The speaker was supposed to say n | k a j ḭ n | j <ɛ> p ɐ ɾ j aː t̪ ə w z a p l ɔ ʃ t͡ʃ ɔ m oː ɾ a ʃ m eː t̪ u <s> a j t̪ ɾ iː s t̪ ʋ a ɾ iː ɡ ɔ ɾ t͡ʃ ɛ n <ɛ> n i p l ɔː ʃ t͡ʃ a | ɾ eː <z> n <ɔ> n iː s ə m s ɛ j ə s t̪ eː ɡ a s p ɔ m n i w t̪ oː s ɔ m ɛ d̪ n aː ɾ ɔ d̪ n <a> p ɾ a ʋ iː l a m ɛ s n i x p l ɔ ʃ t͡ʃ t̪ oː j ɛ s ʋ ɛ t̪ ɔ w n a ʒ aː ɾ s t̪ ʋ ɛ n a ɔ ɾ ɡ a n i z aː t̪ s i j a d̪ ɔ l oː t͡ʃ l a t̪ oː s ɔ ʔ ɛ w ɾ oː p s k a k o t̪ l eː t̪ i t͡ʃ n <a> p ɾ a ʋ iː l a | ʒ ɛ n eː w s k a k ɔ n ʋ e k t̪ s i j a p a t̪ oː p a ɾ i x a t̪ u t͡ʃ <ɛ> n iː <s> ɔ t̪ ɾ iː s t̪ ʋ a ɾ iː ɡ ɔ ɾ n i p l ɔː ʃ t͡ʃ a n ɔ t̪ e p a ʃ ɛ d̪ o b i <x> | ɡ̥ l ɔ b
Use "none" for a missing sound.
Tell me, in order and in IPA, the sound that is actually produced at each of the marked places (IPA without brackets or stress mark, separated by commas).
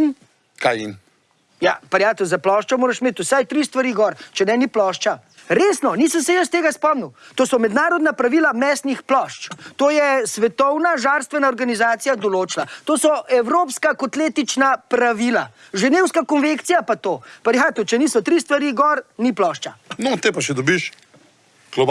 a, s, ɛ, s, ɔ, a, a, ɛ, s, ʃ